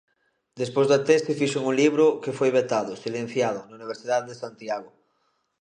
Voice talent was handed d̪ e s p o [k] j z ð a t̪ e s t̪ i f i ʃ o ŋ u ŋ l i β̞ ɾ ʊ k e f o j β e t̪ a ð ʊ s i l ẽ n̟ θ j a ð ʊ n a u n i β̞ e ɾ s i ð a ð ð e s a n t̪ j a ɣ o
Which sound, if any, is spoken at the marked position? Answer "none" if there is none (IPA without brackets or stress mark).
none